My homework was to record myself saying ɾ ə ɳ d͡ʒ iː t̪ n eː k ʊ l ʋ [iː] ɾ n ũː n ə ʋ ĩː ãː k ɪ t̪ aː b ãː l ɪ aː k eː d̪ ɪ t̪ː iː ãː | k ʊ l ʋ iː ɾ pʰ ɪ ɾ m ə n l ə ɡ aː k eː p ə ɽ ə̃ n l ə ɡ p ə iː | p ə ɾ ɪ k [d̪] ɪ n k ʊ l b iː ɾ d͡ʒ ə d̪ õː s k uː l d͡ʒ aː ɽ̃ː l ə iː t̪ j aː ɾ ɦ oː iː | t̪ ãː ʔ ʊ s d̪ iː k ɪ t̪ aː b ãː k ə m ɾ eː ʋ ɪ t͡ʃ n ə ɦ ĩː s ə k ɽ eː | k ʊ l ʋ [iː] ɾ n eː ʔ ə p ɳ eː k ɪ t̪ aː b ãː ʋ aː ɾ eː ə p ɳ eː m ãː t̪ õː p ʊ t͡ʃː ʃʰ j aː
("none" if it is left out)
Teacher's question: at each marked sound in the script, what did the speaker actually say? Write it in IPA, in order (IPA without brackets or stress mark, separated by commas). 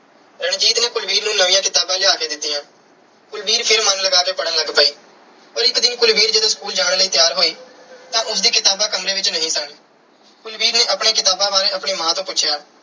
iː, d̪, iː